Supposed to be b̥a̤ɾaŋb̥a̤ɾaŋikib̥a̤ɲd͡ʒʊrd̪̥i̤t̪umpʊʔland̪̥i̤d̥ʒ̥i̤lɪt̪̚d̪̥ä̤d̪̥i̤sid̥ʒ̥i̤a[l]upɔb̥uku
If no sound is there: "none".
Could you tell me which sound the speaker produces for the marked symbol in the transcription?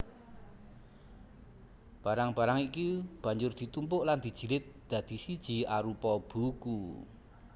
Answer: ɾ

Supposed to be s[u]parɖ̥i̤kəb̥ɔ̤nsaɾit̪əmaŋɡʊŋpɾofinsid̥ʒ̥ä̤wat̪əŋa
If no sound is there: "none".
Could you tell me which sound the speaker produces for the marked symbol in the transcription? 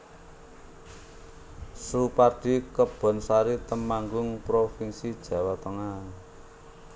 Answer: u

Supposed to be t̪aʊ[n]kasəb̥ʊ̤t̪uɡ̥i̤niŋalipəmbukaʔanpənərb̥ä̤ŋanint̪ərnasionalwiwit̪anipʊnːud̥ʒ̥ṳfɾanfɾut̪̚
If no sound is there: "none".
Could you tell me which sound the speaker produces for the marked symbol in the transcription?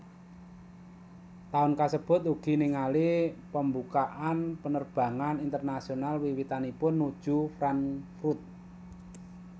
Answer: n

